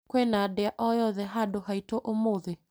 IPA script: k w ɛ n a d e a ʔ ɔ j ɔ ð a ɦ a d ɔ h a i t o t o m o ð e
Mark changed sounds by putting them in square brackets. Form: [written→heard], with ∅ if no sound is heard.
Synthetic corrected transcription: k w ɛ n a d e a ʔ ɔ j ɔ ð [a→ɛ] ɦ a d [ɔ→o] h a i t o [t→ʔ] o m o ð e